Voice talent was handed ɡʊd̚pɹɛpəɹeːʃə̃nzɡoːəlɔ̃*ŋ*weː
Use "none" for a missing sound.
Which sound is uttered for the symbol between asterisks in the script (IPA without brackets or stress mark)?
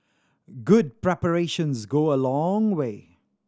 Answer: ŋ